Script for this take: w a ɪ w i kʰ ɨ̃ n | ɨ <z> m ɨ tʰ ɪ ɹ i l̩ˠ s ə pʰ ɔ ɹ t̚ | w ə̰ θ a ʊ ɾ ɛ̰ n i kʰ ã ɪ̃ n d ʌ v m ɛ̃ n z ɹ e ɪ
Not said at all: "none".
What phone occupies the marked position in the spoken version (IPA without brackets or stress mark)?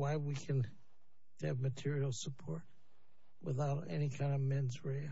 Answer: v